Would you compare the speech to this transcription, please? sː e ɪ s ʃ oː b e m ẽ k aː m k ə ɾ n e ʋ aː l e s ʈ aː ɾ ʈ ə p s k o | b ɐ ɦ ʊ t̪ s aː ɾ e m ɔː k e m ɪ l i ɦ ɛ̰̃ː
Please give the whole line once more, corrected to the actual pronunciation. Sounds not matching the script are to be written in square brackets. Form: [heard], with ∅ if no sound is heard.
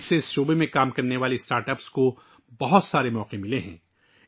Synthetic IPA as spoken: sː e ɪ s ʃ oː b e m ẽ k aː m k [ɐ] ɾ n e ʋ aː l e s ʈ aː ɾ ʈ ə p s k o | b ɐ ɦ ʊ t̪ s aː ɾ e m ɔː [q] e m ɪ l [e] ɦ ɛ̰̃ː